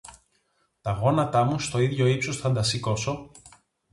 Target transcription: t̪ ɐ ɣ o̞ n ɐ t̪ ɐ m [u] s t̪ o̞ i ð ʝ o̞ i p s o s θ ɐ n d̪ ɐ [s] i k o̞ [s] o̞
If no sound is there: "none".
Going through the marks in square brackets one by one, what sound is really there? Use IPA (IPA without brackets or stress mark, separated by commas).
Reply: u, s, s